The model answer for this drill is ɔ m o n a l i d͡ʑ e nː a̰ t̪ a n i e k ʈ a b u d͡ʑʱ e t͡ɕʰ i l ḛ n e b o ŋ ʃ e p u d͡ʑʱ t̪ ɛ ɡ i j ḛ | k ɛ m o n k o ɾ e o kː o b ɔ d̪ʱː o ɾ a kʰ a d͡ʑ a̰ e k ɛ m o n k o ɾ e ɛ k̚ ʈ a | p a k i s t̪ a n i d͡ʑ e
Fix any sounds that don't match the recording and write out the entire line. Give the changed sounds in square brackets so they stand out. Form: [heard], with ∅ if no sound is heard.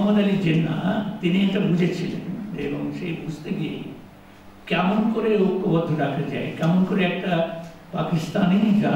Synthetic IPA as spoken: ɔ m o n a l i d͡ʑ e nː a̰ t̪ [i] n i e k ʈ a b u d͡ʑʱ e t͡ɕʰ i l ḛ n e b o ŋ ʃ e [b] u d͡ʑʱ t̪ [e] ɡ i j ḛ | k ɛ m o n k o ɾ e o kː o b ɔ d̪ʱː o ɾ a kʰ a d͡ʑ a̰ e k ɛ m o n k o ɾ e ɛ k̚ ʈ a | p a k i s t̪ a n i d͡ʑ [a]

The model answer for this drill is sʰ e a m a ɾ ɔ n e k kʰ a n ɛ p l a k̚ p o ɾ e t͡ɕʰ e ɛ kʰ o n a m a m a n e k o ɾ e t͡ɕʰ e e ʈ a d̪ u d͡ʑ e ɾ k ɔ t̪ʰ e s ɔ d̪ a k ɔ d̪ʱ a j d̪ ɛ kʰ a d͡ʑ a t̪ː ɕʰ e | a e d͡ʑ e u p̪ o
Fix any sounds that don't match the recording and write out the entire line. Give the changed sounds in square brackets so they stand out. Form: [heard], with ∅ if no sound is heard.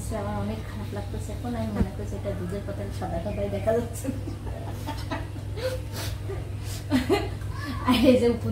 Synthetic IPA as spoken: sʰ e a m a ɾ ɔ n e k kʰ a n [a] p l a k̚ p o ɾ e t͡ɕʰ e ɛ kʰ o n a m [i] m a n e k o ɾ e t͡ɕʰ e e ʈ a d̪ u d͡ʑ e ɾ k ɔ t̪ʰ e [ʃ] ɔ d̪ a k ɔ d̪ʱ a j d̪ ɛ kʰ a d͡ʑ a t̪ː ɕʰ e | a e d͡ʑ e u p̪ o

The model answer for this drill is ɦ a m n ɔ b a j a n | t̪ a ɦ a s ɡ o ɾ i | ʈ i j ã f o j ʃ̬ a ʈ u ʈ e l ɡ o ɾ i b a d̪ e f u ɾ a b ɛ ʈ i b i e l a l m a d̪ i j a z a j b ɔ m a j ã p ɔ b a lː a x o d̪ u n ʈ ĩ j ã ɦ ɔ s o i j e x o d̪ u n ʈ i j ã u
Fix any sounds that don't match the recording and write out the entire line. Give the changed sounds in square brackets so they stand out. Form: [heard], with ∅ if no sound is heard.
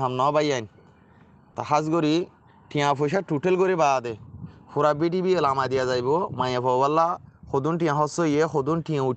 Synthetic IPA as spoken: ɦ a m n ɔ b a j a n | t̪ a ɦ a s ɡ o ɾ i | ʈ i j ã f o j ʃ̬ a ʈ u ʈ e l ɡ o ɾ i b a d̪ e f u ɾ a b [i] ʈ i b i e l a [∅] m a d̪ i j a z a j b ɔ m a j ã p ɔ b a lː a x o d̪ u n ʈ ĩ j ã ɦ ɔ s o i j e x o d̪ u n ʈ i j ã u

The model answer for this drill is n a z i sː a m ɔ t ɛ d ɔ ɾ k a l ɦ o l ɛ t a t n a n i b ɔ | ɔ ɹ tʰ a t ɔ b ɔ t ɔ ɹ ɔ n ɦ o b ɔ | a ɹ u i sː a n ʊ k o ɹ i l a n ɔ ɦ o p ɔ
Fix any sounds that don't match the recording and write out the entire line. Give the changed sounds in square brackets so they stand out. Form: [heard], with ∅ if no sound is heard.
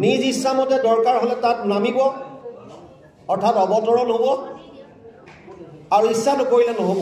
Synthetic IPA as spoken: n [i] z i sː a m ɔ t ɛ d ɔ [ɹ] k a [ɹ] ɦ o l ɛ t a t n a [m] i b ɔ | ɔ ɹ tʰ a t ɔ b ɔ t ɔ ɹ ɔ n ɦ o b ɔ | a ɹ u i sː a n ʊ k o ɹ i l [ɛ] n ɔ ɦ o [b] ɔ

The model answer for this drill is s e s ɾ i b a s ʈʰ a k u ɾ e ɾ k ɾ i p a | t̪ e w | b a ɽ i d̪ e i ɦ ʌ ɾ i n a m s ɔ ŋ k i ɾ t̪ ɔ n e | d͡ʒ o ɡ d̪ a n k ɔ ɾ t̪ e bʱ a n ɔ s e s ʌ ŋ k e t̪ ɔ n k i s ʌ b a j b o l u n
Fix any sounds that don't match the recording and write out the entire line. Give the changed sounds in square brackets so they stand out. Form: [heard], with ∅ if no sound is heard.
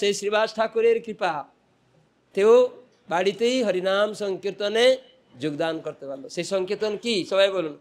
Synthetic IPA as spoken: s e s ɾ i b a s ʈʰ a k u ɾ e ɾ k ɾ i p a | t̪ e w | b a ɽ i [t̪] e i ɦ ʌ ɾ i n a m s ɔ ŋ k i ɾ t̪ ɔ n e | d͡ʒ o ɡ d̪ a n k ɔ ɾ t̪ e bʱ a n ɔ s e s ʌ ŋ k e t̪ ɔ n k i s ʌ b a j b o l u n

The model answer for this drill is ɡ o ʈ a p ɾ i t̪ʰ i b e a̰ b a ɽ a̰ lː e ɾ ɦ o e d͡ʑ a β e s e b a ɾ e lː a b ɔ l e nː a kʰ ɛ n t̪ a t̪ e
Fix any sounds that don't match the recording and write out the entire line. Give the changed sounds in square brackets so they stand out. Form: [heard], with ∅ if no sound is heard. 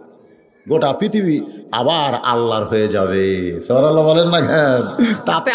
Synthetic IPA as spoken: ɡ o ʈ a p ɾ i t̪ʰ i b [i] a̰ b a [ɾ] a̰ lː [a] ɾ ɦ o e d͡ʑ a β e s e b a ɾ [a] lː a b ɔ l e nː a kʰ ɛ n t̪ a t̪ e

